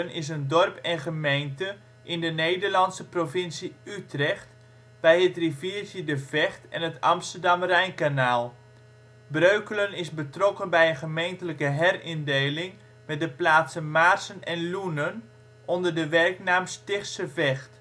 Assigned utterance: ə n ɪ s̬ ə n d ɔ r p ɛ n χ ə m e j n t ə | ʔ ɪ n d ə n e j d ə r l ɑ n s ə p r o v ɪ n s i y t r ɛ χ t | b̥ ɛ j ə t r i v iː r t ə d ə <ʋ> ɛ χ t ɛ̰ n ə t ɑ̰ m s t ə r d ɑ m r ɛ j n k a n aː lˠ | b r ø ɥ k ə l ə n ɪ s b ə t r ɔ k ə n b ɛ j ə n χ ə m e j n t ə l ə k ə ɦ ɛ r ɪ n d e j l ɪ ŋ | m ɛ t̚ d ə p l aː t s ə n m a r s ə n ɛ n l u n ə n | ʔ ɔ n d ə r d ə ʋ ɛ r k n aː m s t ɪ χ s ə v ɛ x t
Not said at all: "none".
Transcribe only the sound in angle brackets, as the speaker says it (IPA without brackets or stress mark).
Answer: v